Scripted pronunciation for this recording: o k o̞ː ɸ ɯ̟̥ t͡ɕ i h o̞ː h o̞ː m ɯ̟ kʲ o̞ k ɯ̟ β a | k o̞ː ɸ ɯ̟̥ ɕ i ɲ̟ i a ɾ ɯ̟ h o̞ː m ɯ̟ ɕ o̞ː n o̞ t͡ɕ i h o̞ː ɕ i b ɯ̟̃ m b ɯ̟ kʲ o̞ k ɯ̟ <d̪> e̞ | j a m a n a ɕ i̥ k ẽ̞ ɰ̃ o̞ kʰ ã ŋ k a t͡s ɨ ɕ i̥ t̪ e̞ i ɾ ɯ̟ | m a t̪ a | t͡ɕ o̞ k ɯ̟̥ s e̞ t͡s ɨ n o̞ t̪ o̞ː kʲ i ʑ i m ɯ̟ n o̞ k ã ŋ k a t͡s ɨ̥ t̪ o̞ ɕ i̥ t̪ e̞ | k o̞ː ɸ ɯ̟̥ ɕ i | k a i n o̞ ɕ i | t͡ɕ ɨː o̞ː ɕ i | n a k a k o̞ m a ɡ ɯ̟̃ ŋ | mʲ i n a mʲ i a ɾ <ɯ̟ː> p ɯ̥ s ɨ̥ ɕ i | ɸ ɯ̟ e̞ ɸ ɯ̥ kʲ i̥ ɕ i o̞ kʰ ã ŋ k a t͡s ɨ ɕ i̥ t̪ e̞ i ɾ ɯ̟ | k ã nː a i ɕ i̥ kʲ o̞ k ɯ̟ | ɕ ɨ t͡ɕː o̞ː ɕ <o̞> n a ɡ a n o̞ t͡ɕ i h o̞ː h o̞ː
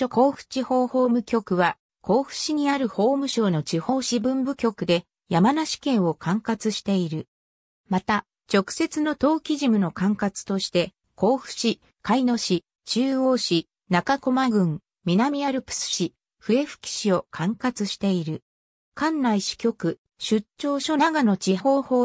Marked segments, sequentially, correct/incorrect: correct, incorrect: ɯ̟, correct

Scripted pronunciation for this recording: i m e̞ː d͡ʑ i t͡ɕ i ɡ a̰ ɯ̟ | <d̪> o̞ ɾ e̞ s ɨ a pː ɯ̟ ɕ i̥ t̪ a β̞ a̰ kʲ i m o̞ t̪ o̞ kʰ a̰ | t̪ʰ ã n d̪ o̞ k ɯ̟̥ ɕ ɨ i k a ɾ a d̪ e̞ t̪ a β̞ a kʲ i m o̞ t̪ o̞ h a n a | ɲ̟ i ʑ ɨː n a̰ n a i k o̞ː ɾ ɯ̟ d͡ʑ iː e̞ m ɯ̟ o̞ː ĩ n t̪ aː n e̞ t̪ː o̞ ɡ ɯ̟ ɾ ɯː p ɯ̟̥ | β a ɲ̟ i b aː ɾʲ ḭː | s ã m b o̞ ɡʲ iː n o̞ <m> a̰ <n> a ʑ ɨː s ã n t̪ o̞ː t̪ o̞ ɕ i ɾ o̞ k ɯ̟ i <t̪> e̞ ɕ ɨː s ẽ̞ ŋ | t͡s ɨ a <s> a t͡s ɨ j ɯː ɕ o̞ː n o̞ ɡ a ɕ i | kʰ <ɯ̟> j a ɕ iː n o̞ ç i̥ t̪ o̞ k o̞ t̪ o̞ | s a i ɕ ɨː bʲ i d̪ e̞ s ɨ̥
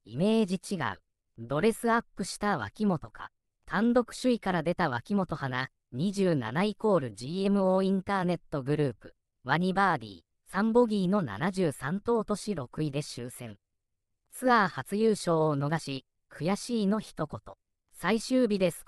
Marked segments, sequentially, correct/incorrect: correct, incorrect: n, correct, incorrect: d̪, incorrect: h, correct

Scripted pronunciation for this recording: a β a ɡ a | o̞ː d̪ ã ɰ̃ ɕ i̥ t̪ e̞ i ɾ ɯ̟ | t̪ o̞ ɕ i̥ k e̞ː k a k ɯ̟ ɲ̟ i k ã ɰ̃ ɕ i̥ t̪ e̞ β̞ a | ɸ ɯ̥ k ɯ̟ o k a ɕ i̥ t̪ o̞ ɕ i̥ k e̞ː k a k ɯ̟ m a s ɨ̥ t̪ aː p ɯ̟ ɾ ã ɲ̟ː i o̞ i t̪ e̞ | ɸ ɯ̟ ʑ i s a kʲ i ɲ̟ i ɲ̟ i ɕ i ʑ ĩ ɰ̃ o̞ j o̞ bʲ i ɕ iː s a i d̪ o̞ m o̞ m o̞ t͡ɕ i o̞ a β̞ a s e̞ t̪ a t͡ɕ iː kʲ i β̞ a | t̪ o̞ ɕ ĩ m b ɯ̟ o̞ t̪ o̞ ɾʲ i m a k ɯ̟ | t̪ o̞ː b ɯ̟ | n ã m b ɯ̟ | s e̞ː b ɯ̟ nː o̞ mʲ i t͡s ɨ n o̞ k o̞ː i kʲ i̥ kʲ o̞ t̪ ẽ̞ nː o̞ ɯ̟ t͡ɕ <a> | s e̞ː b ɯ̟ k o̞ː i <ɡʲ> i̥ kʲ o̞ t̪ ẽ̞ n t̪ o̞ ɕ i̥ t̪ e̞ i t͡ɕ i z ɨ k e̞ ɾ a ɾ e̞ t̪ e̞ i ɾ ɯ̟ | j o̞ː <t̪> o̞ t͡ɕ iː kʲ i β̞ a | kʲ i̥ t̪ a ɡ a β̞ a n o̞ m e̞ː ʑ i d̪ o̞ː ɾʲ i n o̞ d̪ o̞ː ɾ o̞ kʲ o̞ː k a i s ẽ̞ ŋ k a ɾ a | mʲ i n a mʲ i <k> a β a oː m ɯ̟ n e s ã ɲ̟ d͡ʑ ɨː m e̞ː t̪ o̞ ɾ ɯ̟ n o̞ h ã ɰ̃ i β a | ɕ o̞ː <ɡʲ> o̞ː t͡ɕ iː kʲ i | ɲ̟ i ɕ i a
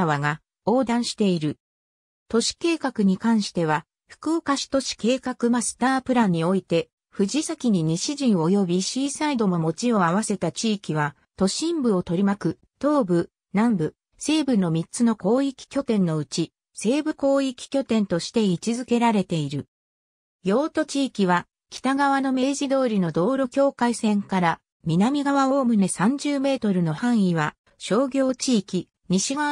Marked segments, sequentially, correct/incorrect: incorrect: i, incorrect: kʲ, correct, incorrect: ɡ, correct

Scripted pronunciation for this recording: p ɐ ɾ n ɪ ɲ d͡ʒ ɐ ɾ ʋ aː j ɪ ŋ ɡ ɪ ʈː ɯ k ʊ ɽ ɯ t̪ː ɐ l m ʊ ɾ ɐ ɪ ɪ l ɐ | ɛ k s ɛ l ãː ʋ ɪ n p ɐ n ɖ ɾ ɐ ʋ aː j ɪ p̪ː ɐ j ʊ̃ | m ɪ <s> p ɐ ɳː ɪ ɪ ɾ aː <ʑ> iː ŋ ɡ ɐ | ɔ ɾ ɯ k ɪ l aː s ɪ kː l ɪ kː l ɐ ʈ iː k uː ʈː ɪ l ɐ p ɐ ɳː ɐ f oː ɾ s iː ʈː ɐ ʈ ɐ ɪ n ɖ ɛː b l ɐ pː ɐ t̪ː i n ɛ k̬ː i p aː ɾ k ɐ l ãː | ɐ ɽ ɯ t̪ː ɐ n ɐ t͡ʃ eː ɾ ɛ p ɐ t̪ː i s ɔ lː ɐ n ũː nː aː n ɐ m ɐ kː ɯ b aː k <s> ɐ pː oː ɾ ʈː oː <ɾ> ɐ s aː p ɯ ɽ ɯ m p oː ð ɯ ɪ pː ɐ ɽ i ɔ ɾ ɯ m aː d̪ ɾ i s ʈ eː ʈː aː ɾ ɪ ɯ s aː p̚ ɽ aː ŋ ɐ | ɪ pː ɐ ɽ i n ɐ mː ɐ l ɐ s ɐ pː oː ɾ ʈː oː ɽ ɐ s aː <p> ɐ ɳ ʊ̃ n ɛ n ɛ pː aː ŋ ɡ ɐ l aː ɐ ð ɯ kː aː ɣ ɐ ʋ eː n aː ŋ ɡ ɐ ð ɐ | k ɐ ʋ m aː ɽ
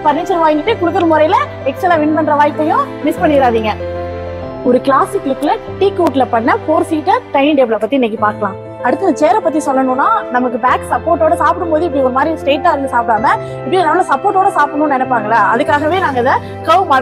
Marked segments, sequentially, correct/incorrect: correct, incorrect: ð, correct, incorrect: ɽ, correct

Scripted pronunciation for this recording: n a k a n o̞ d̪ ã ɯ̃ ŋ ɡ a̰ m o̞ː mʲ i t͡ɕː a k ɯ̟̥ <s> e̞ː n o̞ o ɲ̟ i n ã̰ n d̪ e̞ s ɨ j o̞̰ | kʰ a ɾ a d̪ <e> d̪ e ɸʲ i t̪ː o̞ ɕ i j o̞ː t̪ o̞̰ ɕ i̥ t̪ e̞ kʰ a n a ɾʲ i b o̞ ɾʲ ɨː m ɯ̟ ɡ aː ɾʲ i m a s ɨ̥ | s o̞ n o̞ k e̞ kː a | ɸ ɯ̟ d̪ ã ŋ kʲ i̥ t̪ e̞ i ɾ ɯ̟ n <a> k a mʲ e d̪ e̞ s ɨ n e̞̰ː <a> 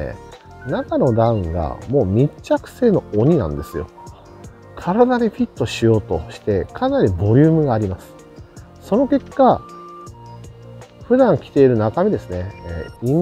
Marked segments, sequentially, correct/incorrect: correct, incorrect: a, correct, incorrect: i

